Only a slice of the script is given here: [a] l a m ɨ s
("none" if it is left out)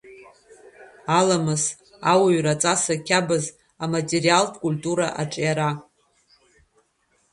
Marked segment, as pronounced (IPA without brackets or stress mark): a